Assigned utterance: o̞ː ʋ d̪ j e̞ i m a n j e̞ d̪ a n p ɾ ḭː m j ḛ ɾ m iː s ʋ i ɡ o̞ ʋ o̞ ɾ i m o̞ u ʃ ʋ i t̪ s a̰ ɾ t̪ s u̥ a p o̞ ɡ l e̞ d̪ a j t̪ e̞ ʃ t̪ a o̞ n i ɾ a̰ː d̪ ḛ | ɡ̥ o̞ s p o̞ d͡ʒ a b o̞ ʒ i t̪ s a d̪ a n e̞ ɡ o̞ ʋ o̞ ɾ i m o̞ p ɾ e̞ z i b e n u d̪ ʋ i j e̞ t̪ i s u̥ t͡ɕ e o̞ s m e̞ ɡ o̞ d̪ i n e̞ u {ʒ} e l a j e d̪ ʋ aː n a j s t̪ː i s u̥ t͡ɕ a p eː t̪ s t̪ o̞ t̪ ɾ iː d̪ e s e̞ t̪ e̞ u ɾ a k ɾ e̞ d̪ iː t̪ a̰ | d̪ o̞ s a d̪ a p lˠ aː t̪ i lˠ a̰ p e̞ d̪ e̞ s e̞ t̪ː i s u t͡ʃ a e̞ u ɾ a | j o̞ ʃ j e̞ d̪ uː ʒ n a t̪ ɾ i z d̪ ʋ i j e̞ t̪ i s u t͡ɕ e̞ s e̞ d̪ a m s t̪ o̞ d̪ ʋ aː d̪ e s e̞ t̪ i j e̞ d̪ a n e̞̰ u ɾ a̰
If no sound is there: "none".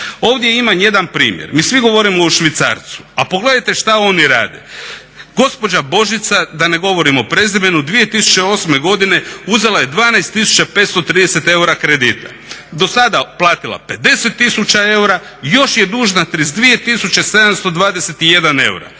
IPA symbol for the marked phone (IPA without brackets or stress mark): z